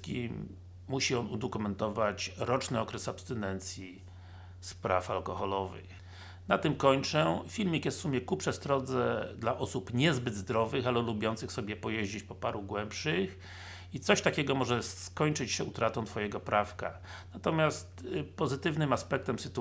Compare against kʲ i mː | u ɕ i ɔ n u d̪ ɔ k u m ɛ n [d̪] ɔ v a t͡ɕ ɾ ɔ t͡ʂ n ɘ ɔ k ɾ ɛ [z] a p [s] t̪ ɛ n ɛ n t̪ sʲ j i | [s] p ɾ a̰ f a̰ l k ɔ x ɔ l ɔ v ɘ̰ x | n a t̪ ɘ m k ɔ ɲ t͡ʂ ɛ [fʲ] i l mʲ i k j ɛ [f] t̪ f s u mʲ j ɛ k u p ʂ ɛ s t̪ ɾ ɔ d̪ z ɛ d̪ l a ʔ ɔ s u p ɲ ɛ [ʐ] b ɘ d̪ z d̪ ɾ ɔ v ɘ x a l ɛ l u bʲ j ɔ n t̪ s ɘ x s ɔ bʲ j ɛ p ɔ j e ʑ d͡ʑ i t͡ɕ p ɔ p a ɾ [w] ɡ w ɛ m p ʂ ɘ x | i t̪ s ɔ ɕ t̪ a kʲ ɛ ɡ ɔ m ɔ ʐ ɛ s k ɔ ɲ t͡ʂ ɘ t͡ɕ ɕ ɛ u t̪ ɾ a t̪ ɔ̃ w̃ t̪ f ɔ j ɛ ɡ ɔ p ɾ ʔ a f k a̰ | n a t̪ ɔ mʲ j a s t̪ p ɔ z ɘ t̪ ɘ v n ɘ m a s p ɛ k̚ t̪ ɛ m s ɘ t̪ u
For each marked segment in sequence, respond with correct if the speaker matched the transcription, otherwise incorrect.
incorrect: t̪, incorrect: s, correct, correct, correct, incorrect: s, incorrect: z, incorrect: u

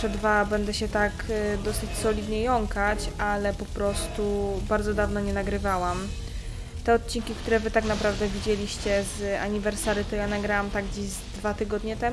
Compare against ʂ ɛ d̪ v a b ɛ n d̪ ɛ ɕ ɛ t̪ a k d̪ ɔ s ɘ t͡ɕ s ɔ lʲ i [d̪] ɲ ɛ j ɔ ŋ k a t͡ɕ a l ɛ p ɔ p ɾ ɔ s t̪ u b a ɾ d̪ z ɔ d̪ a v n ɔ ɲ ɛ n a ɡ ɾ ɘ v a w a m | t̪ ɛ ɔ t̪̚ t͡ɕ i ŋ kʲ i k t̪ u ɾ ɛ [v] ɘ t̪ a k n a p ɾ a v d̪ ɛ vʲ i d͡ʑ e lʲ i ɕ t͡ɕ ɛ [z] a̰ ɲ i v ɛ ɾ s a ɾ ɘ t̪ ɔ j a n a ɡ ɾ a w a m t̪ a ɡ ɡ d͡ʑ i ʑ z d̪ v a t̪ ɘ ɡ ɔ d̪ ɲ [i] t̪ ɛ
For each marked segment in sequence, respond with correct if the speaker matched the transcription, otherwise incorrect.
correct, correct, correct, incorrect: ɛ

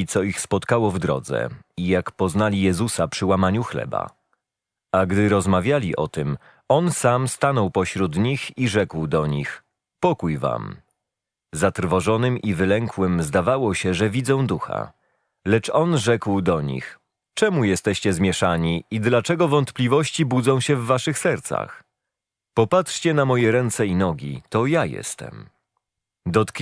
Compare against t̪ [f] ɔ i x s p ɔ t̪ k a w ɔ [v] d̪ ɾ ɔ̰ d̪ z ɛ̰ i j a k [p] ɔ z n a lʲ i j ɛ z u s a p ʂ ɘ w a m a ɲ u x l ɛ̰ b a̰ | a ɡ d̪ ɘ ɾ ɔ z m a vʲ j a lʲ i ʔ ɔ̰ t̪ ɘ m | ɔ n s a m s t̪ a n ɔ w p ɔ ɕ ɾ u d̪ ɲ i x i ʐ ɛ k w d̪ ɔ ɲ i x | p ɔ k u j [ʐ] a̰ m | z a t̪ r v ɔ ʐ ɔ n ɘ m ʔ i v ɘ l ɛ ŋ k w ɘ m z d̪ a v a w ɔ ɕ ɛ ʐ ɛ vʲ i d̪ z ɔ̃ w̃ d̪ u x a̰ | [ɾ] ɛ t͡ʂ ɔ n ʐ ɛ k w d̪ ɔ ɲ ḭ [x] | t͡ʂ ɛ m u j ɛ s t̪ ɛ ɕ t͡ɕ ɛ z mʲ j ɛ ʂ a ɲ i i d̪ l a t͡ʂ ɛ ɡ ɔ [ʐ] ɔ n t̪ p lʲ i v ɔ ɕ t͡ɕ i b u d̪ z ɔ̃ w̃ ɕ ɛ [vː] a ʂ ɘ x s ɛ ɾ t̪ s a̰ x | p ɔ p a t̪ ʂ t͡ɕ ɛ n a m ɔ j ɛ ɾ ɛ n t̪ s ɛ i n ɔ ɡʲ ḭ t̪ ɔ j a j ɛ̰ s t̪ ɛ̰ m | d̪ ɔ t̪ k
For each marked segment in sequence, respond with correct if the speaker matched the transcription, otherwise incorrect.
incorrect: s, correct, correct, incorrect: v, incorrect: l, correct, incorrect: v, correct

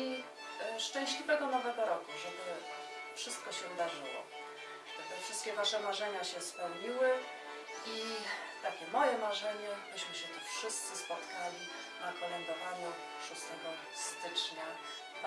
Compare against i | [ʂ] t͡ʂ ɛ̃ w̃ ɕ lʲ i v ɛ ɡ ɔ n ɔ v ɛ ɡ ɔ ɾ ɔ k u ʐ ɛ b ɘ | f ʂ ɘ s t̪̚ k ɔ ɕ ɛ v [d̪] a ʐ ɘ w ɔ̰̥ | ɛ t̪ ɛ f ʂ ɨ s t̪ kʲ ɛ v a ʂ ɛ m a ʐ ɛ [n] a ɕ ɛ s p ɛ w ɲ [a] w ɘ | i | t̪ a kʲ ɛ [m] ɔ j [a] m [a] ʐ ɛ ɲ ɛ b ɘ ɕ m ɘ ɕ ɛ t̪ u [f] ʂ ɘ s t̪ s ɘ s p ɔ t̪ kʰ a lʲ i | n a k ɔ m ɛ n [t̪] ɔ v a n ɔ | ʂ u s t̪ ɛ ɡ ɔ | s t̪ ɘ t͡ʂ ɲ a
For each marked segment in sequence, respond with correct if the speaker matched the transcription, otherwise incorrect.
correct, correct, incorrect: ɲ, incorrect: i, correct, incorrect: ɛ, correct, correct, incorrect: d̪

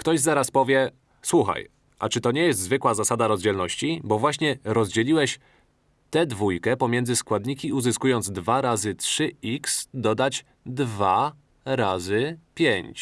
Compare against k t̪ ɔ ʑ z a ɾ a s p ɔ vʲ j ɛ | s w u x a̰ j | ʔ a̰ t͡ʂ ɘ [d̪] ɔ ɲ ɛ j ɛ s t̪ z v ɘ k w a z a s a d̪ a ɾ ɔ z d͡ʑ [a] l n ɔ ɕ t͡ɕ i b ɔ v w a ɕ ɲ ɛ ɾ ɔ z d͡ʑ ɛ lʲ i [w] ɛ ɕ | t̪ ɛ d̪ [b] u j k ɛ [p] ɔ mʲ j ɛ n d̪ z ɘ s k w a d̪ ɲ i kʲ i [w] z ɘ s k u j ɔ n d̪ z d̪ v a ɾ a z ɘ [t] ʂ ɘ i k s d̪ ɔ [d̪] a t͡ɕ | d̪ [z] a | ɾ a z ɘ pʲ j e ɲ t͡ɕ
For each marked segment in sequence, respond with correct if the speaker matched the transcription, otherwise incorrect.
incorrect: t̪, incorrect: ɛ, correct, incorrect: v, correct, incorrect: u, correct, correct, incorrect: v

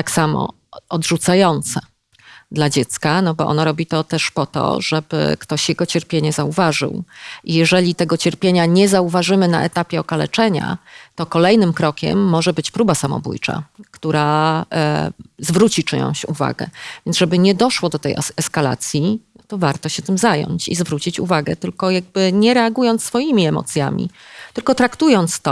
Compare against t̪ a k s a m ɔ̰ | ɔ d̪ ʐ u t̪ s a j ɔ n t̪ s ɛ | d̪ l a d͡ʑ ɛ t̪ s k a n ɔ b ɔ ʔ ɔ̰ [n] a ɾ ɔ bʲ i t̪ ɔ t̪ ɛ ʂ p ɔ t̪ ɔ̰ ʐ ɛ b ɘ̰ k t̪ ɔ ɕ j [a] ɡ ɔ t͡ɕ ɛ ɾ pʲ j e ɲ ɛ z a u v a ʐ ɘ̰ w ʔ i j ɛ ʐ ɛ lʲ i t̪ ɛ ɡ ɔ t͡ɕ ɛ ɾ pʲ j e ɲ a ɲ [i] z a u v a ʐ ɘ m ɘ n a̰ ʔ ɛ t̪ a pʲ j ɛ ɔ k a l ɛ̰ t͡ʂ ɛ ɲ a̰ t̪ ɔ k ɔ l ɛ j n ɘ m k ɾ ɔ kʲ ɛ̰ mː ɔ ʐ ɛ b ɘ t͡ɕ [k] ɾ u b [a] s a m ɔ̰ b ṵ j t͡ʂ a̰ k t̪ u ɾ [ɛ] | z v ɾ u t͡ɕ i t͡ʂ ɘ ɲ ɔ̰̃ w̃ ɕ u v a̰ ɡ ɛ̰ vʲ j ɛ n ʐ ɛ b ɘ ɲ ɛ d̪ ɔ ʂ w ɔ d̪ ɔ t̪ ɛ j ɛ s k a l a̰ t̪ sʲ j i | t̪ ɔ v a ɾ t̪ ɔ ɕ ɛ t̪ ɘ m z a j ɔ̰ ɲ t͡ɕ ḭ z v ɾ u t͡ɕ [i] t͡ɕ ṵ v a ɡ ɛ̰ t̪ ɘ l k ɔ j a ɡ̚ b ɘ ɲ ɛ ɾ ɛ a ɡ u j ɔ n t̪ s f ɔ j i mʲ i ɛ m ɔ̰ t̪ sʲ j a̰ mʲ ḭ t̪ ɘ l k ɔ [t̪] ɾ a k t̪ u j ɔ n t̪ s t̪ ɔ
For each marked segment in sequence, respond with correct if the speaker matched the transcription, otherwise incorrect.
correct, incorrect: ɛ, incorrect: ɛ, incorrect: p, correct, incorrect: a, correct, correct

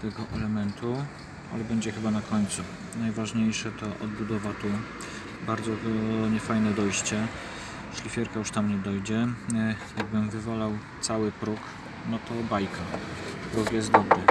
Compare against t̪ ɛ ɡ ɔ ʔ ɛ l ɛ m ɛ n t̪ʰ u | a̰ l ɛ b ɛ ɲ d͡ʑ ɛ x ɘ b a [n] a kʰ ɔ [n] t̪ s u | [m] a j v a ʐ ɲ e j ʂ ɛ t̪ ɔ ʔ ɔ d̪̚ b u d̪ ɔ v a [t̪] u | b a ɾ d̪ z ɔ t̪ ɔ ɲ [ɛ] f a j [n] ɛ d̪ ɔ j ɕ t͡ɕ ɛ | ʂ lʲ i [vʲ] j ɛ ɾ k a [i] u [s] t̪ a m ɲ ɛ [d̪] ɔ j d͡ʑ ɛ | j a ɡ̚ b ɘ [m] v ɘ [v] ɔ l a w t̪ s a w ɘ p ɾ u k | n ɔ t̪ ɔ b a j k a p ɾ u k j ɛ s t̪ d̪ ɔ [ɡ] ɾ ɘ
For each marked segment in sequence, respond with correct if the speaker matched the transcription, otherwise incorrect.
correct, incorrect: ɲ, incorrect: n, correct, correct, correct, incorrect: fʲ, incorrect: j, incorrect: ʂ, correct, correct, correct, incorrect: b

